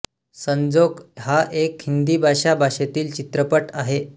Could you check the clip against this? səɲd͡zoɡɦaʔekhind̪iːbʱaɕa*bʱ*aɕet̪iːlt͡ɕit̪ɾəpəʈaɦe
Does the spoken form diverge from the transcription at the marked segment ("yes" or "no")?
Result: no